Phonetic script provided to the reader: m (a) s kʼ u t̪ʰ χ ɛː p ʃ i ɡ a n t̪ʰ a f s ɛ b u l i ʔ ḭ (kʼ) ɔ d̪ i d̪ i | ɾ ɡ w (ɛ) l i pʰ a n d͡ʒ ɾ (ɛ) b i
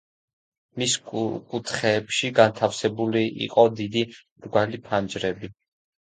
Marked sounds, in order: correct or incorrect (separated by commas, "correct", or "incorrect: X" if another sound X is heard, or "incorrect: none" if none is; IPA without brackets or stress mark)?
incorrect: i, incorrect: qʼ, incorrect: a, correct